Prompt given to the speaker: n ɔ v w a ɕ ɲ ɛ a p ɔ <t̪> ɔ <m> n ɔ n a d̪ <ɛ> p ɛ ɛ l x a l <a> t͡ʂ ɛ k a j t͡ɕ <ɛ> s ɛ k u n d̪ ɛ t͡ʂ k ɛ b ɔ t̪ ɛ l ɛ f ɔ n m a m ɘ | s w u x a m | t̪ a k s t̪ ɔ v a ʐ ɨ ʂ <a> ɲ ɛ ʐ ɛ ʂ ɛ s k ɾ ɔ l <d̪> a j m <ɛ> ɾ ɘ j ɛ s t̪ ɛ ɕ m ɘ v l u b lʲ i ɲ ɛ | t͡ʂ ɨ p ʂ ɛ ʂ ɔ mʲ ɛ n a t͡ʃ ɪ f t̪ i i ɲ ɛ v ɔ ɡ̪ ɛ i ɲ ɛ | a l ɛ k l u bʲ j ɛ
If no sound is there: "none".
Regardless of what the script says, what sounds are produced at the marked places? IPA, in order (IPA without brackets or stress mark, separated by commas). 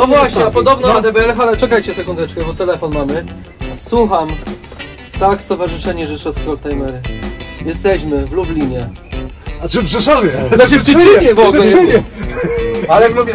d̪, b, ɛ, ɛ, ɛ, ɛ, t̪, ɛ